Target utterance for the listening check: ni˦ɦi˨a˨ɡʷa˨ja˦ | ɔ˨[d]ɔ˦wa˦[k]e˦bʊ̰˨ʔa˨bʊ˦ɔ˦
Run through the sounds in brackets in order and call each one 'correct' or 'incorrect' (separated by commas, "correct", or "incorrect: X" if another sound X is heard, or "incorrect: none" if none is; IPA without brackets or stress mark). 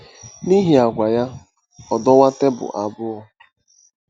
correct, incorrect: t